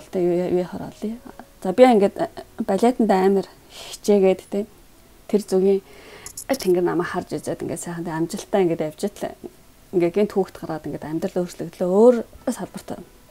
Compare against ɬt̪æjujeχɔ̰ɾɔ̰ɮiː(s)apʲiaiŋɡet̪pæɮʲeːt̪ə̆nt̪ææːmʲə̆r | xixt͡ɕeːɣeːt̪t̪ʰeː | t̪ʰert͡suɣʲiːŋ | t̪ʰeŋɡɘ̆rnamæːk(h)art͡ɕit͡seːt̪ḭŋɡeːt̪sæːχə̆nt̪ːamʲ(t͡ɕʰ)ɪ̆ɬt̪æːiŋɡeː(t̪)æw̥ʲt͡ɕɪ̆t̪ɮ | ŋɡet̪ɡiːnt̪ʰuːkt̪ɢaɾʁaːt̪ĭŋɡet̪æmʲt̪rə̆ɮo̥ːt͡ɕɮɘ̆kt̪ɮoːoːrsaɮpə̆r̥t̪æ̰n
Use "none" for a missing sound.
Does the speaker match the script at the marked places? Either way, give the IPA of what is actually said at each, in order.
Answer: t͡s, χ, t͡ɕ, t̪

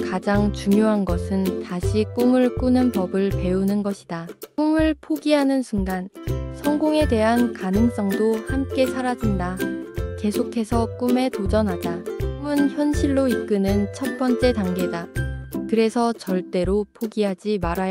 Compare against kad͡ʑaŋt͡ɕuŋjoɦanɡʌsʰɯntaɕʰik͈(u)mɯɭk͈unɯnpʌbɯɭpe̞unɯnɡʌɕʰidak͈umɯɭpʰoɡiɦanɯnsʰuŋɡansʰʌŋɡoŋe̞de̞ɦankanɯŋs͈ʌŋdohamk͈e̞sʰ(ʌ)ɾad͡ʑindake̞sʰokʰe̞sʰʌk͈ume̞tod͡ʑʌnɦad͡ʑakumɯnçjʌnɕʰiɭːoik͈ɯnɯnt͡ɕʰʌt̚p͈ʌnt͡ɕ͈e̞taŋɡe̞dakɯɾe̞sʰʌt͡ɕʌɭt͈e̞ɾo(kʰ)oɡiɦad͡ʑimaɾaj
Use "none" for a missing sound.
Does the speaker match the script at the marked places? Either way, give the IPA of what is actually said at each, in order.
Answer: u, a, pʰ

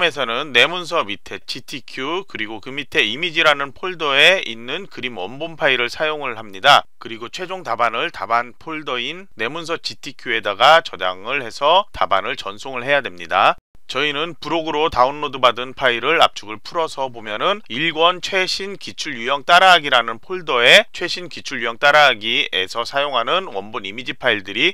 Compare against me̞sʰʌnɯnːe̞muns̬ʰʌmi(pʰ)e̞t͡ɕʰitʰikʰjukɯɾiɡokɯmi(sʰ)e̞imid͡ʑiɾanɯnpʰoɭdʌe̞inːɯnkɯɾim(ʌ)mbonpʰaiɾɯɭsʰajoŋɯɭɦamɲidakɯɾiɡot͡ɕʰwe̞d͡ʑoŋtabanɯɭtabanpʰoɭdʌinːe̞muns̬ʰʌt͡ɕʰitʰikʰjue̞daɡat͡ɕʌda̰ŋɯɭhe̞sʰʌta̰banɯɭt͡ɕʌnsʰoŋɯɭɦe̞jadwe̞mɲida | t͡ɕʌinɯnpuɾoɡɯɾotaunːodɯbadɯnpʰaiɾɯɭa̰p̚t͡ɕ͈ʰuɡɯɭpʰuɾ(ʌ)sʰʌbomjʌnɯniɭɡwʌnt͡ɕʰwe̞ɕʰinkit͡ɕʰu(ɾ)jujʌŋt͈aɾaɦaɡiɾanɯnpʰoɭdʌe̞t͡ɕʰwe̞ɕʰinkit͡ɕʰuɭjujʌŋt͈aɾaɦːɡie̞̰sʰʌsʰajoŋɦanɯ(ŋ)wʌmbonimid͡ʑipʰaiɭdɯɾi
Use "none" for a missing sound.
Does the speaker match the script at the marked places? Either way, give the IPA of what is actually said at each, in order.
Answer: tʰ, tʰ, ʌ, ʌ, ɭ, n

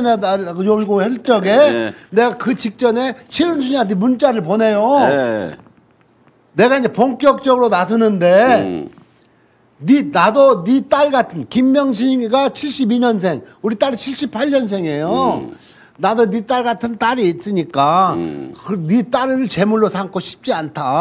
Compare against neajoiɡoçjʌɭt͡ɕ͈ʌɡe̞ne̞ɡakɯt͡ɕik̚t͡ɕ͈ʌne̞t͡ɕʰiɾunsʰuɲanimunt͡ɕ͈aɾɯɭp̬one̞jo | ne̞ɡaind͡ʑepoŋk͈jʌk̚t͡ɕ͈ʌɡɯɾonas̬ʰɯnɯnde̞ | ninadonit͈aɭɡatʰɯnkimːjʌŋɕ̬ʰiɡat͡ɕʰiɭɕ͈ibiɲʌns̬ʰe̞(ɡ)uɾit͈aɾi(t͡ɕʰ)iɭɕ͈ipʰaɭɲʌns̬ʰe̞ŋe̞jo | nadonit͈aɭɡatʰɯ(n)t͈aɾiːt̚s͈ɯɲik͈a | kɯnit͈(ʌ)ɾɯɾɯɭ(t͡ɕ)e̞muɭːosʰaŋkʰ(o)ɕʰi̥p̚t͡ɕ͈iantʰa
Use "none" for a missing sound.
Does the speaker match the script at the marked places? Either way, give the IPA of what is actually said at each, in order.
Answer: ŋ, t͡ɕʰ, n, a, t͡ɕ, o

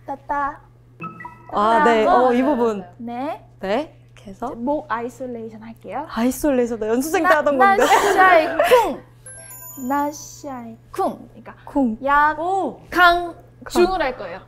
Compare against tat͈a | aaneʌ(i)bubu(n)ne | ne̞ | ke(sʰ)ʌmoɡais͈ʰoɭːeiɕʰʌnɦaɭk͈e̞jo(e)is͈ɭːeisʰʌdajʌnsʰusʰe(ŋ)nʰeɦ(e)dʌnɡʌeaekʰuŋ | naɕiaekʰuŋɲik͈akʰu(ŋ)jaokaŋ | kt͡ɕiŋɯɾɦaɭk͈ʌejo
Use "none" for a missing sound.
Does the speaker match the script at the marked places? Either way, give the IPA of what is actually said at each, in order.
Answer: i, n, sʰ, a, ŋ, a, ŋ

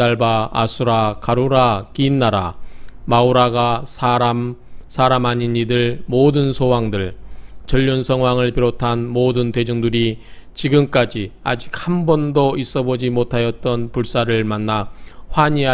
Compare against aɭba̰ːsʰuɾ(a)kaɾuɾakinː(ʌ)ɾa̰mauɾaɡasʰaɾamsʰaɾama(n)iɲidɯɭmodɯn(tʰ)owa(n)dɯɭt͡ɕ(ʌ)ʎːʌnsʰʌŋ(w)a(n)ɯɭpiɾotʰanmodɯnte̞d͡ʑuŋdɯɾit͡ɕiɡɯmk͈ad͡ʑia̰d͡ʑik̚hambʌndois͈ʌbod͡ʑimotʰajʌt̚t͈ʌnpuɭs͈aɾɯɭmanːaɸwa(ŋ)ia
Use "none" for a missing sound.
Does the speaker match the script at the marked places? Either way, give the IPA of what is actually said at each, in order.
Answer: a, a, ɲ, sʰ, ŋ, ʌ, w, ŋ, ɲ

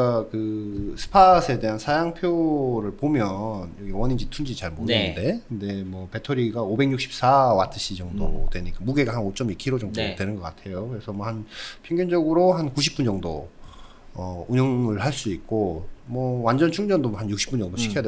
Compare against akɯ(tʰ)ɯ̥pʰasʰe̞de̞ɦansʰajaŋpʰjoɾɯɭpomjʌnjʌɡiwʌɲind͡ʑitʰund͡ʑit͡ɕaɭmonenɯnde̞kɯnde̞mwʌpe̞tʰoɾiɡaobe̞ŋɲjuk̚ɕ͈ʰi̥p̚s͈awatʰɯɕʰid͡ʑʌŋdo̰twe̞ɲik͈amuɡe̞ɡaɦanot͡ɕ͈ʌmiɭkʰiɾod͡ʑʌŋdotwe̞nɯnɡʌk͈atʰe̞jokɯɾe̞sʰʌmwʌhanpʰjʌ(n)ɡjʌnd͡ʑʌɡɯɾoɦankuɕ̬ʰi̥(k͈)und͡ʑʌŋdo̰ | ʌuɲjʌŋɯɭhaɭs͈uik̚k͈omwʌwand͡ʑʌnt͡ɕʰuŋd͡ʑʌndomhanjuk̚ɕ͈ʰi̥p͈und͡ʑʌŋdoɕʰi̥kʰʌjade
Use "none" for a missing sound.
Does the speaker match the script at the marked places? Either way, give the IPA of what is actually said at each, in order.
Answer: sʰ, ŋ, p͈

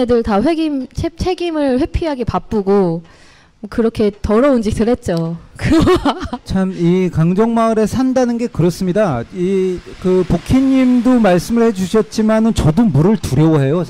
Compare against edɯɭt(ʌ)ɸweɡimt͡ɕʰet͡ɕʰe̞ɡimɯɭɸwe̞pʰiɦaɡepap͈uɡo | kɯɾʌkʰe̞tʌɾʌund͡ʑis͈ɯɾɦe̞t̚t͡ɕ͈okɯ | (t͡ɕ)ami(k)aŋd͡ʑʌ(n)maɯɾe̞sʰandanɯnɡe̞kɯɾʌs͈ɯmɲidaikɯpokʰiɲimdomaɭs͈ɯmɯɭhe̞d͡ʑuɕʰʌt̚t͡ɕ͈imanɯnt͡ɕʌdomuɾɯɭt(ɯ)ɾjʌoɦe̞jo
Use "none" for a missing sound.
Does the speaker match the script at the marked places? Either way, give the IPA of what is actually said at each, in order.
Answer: a, t͡ɕʰ, k, ŋ, u

